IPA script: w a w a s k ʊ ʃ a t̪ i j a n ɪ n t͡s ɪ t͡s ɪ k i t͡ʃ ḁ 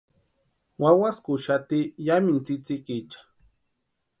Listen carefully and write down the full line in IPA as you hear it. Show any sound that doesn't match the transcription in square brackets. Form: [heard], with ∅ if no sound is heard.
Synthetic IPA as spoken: w a w a s k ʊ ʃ a t̪ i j a [m] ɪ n t͡s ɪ t͡s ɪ k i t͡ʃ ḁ